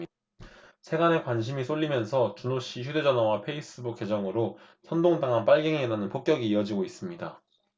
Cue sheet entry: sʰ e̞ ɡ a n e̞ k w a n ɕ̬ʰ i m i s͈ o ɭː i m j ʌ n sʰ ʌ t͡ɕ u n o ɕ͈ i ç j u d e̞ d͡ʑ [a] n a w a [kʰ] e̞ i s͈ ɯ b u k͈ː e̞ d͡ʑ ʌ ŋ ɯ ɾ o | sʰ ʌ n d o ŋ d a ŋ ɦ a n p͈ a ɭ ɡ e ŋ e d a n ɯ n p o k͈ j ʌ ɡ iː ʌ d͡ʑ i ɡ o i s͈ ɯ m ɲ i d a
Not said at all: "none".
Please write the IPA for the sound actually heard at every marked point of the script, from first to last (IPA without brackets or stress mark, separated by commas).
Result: ʌ, pʰ